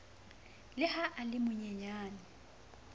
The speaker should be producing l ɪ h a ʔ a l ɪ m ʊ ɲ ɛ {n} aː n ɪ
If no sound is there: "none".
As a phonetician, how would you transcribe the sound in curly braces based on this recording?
ɲ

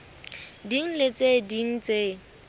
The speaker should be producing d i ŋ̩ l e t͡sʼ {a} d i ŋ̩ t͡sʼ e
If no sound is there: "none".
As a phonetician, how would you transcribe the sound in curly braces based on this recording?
e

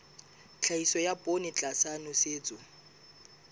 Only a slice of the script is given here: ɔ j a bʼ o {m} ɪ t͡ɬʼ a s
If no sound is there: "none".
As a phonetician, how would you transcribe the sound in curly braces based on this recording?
n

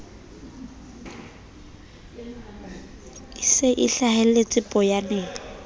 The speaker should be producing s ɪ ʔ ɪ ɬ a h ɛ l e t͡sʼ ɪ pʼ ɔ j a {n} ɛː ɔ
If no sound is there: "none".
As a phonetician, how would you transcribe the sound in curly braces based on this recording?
n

